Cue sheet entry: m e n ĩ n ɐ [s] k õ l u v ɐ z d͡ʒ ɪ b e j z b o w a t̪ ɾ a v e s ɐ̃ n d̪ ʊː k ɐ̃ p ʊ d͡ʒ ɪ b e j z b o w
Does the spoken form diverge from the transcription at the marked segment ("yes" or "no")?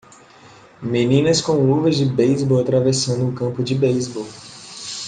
no